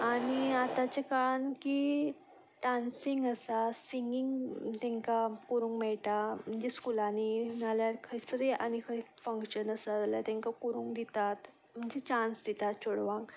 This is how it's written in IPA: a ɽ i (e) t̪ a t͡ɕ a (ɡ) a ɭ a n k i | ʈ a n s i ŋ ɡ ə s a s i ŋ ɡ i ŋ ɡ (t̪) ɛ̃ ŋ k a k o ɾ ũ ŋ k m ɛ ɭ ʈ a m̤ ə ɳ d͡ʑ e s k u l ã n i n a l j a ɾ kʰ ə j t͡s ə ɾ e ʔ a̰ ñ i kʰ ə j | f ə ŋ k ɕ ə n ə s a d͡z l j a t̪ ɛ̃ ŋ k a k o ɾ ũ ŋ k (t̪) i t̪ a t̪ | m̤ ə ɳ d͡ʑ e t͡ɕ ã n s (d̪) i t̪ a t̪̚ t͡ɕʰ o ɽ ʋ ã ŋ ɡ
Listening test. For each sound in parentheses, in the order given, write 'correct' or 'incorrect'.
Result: incorrect: a, incorrect: k, correct, incorrect: d̪, correct

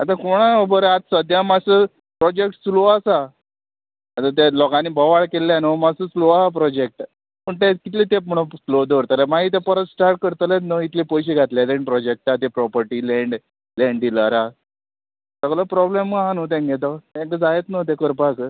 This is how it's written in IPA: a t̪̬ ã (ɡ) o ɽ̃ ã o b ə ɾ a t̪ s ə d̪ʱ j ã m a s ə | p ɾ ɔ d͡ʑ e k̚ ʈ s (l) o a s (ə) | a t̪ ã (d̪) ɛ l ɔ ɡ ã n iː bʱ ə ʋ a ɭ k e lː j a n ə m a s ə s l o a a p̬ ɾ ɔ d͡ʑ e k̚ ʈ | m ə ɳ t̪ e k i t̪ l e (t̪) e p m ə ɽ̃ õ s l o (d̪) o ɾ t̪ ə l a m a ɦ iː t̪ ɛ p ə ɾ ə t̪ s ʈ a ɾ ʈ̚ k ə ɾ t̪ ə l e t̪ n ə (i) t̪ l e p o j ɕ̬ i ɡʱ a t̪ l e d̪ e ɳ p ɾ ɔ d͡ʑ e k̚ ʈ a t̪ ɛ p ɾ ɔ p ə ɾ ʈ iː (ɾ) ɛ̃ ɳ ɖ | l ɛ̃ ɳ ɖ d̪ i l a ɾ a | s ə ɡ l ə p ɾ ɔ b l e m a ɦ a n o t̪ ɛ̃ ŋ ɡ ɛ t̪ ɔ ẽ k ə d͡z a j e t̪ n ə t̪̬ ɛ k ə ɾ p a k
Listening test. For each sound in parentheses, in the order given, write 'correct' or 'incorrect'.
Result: incorrect: k, correct, incorrect: a, incorrect: t̪, correct, correct, correct, incorrect: l

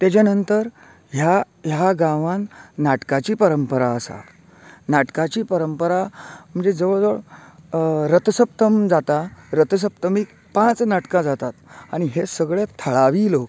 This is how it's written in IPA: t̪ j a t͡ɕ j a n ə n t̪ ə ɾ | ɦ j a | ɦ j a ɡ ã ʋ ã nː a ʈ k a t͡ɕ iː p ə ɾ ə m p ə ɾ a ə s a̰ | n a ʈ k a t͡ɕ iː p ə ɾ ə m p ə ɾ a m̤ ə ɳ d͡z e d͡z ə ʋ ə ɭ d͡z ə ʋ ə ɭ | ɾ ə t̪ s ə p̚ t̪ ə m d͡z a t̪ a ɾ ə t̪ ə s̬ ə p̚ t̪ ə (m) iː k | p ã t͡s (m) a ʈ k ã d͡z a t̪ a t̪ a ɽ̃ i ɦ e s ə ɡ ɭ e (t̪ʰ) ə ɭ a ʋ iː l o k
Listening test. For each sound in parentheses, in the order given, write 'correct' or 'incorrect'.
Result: correct, incorrect: n, correct

